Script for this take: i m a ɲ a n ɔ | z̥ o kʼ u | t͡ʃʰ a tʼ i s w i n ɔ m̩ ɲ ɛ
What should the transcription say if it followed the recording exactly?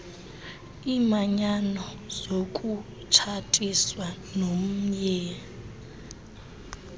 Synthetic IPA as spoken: i m a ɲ a n ɔ | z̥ o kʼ u | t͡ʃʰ a tʼ i s w a n o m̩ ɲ ɛ